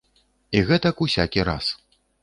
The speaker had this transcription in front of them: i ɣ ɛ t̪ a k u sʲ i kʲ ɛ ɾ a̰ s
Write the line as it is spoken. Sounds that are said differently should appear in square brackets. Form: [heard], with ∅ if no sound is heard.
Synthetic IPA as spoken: i ɣ ɛ t̪ [ɐ] k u sʲ [a] kʲ [i] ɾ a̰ s

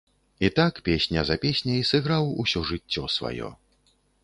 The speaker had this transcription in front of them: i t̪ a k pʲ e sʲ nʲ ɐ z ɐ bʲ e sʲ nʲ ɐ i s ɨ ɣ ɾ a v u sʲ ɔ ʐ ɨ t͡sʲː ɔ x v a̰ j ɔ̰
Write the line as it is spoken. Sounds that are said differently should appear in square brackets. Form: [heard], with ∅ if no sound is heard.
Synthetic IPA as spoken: i t̪ a k pʲ e sʲ nʲ ɐ z ɐ [pʲ] e sʲ nʲ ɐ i s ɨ ɣ ɾ a [w] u sʲ ɔ ʐ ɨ t͡sʲː ɔ [s] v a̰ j ɔ̰

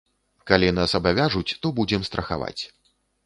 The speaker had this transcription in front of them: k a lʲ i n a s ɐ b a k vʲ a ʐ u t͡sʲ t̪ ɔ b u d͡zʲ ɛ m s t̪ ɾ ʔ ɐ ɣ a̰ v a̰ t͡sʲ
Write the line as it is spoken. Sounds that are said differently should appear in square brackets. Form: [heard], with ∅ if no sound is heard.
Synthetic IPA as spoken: k a lʲ i n a s ɐ b a [∅] vʲ a ʐ u t͡sʲ t̪ ɔ b u d͡zʲ ɛ m s t̪ ɾ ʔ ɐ [x] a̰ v a̰ t͡sʲ

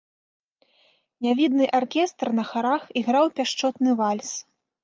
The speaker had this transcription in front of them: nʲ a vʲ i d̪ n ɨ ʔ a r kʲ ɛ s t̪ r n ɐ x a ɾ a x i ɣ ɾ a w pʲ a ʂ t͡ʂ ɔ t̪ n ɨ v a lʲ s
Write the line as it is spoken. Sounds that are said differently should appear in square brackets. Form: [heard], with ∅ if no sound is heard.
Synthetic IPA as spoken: nʲ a vʲ i d̪ n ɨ ʔ a r kʲ ɛ s t̪ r n ɐ x a ɾ a x i ɣ ɾ a w pʲ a ʂ t͡ʂ ɔ t̪ n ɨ v a lʲ s

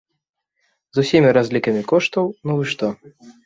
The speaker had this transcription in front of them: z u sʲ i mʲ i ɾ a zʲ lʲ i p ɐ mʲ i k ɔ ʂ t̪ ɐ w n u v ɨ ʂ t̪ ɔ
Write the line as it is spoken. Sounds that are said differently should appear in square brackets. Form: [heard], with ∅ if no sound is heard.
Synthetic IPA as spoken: z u sʲ i mʲ i ɾ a zʲ lʲ i [k] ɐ mʲ i k ɔ ʂ t̪ ɐ w n u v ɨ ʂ t̪ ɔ

